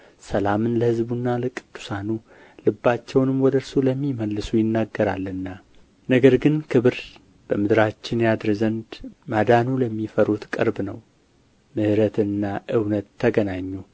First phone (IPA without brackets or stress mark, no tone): s